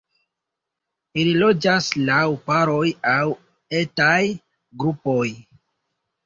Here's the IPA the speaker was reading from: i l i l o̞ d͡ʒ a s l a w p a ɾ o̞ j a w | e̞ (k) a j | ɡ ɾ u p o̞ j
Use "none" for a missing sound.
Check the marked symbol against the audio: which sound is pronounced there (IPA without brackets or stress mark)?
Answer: t